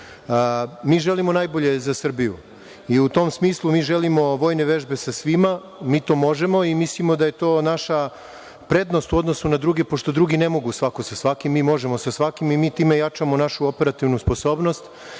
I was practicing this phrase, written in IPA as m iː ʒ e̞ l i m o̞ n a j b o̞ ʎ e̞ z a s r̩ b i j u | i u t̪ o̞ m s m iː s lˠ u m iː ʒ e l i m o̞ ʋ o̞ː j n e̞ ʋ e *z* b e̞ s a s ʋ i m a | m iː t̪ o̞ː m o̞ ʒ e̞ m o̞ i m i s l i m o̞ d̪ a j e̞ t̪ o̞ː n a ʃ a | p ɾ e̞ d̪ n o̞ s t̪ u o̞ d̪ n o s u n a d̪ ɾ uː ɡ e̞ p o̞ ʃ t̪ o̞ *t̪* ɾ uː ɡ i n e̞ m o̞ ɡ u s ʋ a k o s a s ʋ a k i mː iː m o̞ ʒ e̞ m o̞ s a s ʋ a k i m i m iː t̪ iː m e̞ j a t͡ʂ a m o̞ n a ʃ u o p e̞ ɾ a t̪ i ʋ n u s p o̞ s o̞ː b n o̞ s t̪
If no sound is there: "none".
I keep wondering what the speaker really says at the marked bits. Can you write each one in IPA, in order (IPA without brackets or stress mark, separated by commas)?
ʒ, d̪